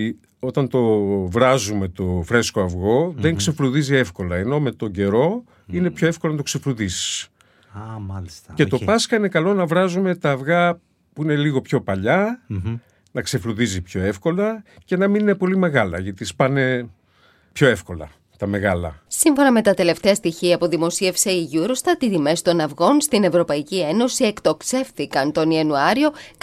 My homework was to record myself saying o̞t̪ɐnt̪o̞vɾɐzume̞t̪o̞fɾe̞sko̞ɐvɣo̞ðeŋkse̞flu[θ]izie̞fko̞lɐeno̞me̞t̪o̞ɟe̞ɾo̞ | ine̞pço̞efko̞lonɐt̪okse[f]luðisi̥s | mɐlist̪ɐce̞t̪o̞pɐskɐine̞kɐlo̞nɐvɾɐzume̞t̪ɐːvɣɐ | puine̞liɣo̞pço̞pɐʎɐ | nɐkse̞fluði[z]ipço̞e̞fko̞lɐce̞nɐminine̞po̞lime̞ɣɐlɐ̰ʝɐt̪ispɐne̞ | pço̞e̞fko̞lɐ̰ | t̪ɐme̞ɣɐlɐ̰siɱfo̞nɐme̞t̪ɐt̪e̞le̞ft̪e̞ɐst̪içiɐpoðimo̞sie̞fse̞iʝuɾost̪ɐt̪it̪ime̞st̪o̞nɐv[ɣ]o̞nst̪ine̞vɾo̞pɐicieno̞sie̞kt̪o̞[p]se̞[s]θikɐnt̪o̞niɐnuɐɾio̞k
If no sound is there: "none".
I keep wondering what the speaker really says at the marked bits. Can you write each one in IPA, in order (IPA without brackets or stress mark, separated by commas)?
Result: ð, f, z, ɣ, k, f